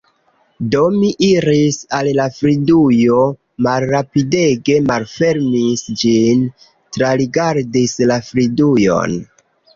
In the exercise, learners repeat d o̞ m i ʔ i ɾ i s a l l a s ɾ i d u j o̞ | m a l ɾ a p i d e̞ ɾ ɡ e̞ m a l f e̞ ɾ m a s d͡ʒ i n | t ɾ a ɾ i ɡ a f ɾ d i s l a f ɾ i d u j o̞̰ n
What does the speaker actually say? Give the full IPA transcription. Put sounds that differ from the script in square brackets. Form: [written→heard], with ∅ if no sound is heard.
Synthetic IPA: d o̞ m i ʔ i ɾ i s a l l a [s→f] ɾ i d u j o̞ | m a l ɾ a p i d e̞ [ɾ→∅] ɡ e̞ m a l f e̞ ɾ m [a→i] s d͡ʒ i n | t ɾ a ɾ i ɡ a [f→∅] ɾ d i s l a f ɾ i d u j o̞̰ n